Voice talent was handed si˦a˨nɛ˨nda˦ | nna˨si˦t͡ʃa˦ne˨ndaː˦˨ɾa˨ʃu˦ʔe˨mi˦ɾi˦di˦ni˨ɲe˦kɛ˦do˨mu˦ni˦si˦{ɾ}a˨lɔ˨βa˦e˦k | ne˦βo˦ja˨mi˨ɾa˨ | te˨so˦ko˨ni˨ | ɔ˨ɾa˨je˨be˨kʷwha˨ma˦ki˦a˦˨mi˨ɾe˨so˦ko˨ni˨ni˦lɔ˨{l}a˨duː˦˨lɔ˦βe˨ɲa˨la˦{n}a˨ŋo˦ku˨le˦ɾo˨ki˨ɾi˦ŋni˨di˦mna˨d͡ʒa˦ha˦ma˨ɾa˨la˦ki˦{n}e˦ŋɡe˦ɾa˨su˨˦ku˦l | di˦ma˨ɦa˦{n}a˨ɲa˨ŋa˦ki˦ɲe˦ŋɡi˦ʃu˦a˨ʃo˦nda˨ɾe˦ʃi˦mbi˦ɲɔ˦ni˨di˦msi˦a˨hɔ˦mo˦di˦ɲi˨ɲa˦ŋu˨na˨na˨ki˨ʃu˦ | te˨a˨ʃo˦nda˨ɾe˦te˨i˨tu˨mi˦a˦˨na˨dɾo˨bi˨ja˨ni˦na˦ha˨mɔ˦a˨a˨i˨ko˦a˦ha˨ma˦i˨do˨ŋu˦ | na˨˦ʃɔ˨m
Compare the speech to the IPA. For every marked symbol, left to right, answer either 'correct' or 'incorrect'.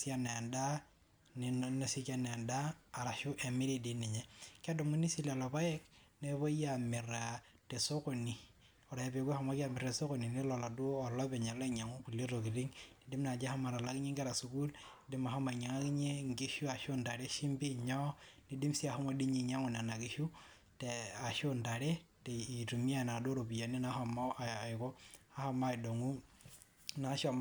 incorrect, correct, incorrect, incorrect, incorrect

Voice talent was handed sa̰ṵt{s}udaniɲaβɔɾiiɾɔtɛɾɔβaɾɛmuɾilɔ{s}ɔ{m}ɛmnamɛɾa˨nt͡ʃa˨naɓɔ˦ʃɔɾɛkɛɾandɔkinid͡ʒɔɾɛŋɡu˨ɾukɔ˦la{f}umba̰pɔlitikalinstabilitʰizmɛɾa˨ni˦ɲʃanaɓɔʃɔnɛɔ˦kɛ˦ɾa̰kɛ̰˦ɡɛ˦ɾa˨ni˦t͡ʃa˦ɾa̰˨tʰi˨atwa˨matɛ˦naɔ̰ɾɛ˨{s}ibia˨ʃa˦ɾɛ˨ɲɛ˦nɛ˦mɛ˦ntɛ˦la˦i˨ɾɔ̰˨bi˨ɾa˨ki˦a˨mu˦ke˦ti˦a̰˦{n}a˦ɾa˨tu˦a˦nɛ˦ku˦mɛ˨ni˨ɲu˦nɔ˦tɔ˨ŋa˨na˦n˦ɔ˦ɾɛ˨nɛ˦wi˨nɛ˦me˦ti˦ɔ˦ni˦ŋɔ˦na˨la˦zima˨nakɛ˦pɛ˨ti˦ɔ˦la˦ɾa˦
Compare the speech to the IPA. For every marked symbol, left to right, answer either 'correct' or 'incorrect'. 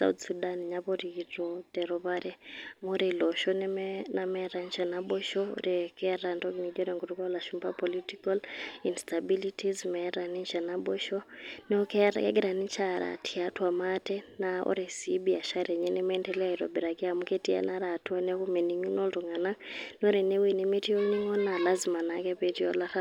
correct, incorrect, incorrect, incorrect, correct, correct

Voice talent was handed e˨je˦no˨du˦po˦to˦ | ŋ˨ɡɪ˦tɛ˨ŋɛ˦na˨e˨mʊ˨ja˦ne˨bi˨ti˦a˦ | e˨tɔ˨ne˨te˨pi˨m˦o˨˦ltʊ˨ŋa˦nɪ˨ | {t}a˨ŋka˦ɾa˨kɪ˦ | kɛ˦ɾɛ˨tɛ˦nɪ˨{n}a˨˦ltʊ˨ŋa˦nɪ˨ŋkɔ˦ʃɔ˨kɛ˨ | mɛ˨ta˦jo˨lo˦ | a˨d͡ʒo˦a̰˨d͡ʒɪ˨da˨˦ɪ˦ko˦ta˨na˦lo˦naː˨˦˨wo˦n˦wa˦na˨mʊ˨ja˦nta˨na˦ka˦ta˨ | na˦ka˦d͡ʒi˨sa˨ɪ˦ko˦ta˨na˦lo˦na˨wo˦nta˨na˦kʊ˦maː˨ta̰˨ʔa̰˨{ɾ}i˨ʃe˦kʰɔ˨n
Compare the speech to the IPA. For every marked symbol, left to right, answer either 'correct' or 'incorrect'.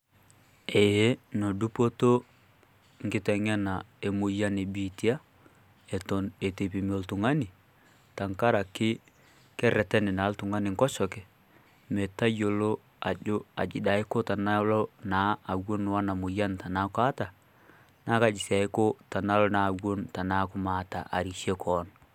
correct, correct, correct

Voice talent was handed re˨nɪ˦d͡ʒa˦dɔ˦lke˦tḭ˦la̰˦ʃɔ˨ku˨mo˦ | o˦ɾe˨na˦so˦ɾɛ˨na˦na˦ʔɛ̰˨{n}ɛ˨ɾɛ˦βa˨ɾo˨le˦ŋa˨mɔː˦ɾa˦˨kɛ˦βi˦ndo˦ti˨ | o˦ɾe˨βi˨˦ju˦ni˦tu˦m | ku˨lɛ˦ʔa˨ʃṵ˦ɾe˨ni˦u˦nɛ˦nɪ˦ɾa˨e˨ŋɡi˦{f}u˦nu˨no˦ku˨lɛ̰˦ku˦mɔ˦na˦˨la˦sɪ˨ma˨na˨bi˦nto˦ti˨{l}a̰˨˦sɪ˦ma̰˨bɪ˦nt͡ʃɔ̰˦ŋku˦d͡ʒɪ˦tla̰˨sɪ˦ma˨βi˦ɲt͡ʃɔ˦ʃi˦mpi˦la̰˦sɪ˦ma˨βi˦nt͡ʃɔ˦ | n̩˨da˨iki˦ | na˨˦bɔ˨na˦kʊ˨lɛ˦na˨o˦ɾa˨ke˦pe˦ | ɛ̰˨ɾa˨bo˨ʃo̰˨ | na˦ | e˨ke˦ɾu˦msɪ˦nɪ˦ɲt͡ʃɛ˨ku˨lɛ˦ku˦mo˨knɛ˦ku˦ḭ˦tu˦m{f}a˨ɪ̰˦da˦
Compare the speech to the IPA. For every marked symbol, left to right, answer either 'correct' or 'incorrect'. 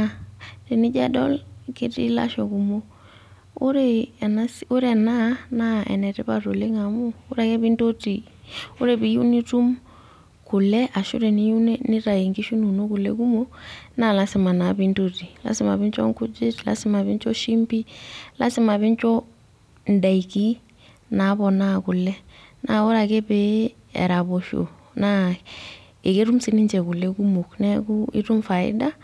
correct, incorrect, correct, correct

